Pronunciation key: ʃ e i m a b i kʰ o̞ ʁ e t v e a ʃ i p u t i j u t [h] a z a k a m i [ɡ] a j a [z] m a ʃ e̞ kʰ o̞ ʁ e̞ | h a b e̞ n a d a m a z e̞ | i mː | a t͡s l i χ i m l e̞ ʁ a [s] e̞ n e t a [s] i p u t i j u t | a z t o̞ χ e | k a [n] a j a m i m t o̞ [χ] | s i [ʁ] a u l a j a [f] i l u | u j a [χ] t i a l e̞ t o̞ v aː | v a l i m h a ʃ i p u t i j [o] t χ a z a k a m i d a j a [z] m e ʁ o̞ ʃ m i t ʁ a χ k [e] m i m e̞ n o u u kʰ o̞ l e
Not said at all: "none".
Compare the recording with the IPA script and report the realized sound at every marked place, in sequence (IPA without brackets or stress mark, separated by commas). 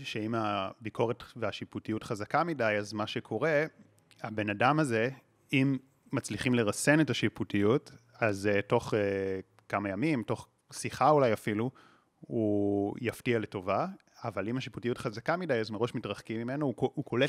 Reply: χ, d, z, s, ʃ, m, χ, χ, f, f, u, z, i